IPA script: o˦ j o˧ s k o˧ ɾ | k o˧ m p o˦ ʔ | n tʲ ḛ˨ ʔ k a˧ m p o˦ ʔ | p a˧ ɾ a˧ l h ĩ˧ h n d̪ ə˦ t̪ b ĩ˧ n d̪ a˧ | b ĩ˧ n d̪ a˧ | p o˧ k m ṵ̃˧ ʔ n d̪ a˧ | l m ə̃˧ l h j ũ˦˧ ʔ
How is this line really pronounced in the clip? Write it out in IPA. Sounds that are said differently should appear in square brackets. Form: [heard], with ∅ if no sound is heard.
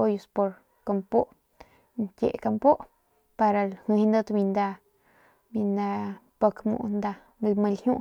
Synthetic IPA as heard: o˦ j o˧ s [p] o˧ ɾ | k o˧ m p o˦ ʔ | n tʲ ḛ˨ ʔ k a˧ m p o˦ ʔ | p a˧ ɾ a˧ l h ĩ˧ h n d̪ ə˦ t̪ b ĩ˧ n d̪ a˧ | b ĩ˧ n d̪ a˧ | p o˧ k m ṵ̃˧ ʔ n d̪ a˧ | l m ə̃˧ l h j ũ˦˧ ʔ

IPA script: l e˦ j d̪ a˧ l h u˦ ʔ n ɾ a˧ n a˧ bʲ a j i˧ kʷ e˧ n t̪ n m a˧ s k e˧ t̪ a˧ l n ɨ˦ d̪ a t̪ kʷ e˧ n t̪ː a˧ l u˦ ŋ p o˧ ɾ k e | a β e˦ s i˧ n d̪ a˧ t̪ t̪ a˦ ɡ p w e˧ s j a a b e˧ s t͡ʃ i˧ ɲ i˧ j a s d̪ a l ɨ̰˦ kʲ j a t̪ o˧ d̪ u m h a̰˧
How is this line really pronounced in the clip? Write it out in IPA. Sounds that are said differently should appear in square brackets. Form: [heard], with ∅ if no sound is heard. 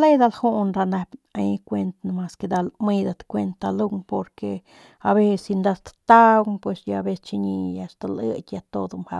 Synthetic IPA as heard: l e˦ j d̪ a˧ l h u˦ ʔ n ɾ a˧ n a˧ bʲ a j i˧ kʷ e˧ n t̪ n m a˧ s k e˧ [d̪] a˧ l [m] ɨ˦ d̪ a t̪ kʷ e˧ n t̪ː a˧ l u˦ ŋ p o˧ ɾ k e | a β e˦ s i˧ n d̪ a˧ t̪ t̪ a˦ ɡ p w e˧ s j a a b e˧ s t͡ʃ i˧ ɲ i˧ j a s [t̪] a l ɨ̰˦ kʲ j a t̪ o˧ d̪ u m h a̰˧

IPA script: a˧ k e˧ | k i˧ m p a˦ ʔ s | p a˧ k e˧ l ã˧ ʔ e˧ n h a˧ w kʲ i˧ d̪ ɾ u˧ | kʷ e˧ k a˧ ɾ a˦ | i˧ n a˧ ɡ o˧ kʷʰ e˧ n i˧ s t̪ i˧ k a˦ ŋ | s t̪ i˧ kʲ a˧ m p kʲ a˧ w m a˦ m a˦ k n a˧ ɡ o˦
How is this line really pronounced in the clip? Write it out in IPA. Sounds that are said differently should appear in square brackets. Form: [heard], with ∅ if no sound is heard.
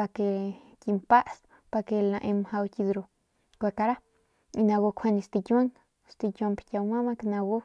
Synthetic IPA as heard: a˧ k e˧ | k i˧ m p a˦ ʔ s | p a˧ k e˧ l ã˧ ʔ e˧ [m] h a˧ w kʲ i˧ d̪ ɾ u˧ | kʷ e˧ k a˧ ɾ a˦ | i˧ n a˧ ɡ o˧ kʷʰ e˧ n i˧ s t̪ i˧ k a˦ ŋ | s t̪ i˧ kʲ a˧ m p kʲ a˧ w m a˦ m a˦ k n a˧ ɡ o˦

